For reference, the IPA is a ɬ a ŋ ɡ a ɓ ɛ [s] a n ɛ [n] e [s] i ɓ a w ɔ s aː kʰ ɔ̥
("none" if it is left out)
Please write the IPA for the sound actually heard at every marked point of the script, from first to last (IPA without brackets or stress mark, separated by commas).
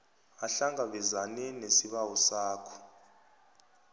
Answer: z, n, s